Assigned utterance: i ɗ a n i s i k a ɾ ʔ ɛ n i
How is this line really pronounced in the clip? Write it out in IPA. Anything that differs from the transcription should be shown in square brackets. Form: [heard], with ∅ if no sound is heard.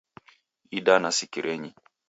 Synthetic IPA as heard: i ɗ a n [a] s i k [i] ɾ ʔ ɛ [ɲ] i

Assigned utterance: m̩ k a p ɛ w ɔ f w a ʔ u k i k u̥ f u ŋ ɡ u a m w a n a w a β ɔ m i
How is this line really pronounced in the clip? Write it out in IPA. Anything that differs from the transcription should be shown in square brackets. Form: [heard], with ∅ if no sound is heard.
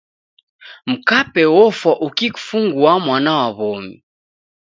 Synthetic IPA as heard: m̩ k a p ɛ w ɔ f w a ʔ u k i k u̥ f u ŋ ɡ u a m w a n a w a β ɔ m i

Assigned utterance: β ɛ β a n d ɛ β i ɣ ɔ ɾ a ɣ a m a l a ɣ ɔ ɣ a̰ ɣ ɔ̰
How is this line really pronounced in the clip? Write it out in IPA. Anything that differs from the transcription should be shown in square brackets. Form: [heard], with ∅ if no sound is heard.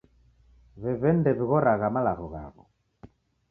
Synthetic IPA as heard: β ɛ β [ɛ] n d ɛ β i ɣ ɔ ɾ a ɣ a m a l a ɣ ɔ ɣ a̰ ɣ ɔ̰

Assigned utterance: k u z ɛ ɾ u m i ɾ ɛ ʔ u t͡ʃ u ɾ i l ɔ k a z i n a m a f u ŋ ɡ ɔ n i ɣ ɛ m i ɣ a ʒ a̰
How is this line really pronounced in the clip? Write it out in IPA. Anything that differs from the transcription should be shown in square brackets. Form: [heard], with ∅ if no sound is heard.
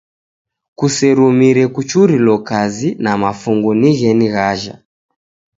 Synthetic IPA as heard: k u [s] ɛ ɾ u m i ɾ ɛ [k] u t͡ʃ u ɾ i l ɔ k a z i n a m a f u ŋ ɡ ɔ n i ɣ ɛ [n] i ɣ a ʒ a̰

